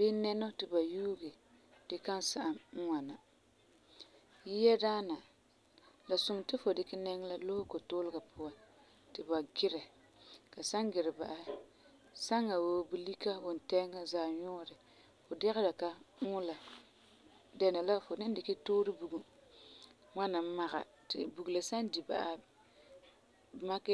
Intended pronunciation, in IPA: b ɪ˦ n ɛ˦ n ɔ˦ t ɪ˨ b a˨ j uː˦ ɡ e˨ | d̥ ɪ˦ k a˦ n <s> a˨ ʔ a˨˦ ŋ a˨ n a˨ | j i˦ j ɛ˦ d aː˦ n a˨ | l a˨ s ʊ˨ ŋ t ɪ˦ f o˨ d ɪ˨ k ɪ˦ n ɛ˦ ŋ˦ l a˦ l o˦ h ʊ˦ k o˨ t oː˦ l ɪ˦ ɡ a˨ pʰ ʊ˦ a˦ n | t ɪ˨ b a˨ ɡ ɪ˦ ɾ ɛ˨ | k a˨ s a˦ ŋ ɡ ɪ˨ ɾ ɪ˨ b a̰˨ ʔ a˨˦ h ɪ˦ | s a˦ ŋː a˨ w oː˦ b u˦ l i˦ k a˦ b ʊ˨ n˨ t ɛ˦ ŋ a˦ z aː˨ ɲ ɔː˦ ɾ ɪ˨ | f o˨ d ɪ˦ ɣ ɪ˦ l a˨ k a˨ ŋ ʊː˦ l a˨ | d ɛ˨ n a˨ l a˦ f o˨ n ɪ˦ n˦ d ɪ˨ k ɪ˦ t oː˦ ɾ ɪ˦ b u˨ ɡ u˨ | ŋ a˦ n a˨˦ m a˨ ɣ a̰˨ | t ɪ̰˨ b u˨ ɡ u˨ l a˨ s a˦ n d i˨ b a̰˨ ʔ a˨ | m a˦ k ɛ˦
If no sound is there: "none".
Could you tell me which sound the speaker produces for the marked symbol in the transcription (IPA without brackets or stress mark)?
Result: s